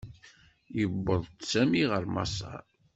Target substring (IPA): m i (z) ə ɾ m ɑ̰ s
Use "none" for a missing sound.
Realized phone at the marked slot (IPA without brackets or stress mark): ʁ